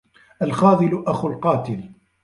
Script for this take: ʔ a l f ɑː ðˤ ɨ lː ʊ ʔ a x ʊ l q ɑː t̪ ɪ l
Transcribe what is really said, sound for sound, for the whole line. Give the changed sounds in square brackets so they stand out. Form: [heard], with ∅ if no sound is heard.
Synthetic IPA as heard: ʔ a l [x] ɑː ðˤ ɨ [l] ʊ ʔ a x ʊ l q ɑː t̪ ɪ l